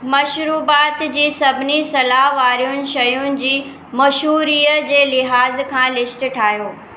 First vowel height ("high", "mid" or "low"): low